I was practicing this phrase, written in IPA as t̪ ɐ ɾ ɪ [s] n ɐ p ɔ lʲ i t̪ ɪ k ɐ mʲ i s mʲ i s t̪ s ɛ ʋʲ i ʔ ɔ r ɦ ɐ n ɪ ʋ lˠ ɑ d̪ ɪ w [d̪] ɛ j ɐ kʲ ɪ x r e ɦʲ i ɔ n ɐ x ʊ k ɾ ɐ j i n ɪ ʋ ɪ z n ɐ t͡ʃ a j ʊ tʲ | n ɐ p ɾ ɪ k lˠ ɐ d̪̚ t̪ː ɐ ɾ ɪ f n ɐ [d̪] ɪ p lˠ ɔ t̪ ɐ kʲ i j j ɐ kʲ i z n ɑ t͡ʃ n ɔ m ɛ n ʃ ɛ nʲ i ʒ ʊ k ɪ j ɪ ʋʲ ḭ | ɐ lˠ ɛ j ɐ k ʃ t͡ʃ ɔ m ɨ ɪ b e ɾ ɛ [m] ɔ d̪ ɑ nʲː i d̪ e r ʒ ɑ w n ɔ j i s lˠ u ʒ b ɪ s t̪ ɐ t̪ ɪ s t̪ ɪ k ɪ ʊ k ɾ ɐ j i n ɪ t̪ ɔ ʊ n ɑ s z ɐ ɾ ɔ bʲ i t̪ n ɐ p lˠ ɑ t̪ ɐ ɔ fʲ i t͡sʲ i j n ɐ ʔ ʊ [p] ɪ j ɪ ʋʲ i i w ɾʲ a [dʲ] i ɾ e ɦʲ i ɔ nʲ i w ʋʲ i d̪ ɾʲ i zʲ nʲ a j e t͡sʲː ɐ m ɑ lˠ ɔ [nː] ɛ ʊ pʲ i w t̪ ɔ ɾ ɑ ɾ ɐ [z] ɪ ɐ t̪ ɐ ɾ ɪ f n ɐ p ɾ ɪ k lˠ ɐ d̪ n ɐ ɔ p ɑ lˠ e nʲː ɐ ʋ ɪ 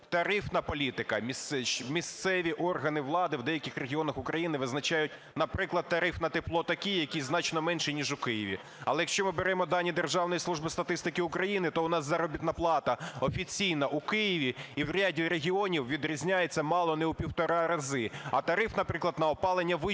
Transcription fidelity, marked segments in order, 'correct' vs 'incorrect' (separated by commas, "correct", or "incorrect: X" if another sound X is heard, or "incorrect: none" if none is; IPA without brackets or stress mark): incorrect: f, correct, incorrect: t̪, correct, incorrect: k, correct, incorrect: n, correct